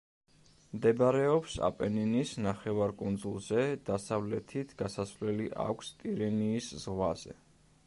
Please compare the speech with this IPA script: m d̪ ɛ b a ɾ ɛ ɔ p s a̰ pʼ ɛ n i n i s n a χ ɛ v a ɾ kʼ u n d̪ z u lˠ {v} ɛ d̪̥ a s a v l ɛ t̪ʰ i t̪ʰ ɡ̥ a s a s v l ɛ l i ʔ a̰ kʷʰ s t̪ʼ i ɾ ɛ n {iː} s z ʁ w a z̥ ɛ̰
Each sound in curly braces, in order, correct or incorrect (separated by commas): incorrect, correct